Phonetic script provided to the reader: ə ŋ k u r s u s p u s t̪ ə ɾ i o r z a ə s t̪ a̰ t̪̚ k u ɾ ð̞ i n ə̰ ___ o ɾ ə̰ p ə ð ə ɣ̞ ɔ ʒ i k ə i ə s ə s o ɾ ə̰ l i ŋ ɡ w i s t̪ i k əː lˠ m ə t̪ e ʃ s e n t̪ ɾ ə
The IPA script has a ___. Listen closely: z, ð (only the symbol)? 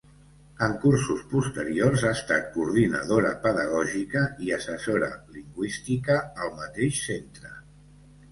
ð